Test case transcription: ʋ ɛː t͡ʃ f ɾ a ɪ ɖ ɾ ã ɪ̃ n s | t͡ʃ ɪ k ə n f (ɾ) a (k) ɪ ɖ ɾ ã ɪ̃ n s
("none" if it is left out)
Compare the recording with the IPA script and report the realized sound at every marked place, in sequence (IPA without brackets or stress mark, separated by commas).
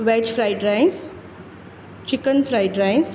ɾ, none